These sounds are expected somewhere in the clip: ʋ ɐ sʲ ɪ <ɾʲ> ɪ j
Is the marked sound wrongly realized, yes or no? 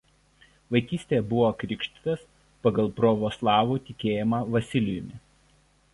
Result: yes